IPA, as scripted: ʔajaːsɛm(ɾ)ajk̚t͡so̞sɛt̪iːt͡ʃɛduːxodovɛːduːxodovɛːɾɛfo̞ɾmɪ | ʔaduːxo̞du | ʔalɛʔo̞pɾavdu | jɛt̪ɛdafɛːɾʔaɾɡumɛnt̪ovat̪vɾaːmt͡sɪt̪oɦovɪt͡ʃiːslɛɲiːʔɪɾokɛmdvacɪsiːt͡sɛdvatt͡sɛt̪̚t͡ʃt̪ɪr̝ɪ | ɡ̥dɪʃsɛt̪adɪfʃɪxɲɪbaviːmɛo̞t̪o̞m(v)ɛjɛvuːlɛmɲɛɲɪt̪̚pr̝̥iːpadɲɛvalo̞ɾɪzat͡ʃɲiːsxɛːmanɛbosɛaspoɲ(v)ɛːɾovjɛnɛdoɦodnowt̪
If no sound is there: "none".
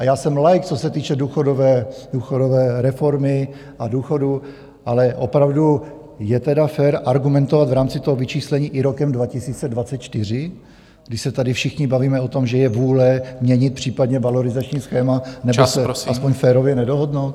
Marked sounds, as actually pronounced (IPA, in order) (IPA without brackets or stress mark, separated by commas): l, ʒ, f